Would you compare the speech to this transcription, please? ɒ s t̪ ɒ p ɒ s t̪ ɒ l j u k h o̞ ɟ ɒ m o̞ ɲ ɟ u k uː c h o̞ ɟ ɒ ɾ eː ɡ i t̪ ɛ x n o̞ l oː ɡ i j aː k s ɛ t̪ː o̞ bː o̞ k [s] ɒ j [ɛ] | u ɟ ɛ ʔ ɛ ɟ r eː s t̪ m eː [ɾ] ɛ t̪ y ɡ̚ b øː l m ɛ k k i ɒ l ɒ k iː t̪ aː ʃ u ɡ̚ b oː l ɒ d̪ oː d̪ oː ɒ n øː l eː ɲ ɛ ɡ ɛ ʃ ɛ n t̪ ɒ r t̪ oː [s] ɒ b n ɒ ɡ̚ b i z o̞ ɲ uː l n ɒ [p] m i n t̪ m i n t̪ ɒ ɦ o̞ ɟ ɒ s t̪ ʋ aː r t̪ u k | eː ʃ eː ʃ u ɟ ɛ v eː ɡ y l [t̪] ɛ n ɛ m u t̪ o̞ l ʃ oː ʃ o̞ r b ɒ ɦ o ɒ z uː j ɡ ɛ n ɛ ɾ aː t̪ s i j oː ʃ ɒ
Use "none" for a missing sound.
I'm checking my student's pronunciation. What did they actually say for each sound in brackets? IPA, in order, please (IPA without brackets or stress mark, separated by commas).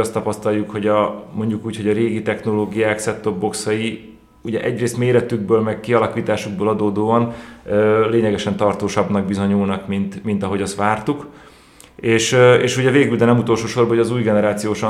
s, i, ɾ, ʃ, k, d̪